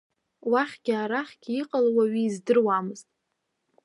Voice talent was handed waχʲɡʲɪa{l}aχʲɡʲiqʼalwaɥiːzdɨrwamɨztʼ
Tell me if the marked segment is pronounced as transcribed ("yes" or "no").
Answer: no